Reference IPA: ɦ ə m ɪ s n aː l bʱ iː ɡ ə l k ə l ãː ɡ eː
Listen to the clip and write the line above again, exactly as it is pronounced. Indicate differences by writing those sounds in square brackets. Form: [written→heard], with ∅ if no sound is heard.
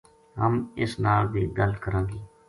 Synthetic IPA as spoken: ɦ ə m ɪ s n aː l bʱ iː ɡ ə l k ə [l→ɾ] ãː ɡ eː